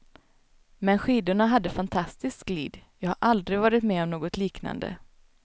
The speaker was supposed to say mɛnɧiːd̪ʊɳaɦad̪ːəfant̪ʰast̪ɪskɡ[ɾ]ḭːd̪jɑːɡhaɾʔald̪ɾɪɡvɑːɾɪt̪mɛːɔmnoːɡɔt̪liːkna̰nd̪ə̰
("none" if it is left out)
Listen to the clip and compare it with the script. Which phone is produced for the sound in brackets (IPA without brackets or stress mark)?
l